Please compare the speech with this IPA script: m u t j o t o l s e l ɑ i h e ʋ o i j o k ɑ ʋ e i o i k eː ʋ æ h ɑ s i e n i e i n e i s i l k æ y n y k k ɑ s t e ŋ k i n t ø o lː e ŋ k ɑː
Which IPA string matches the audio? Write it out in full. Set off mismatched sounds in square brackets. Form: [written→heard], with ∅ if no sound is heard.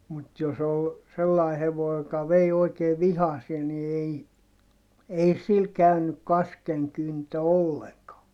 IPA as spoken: m u t j o [t→s] o l s e [l→lː] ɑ i h e ʋ o i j o k ɑ ʋ e i o i k eː ʋ [æ→i] h ɑ s i e n i e i [n→∅] e i s i l k æ y n y k k ɑ s [t→k] e ŋ k [i→y] n t ø o lː e ŋ k ɑː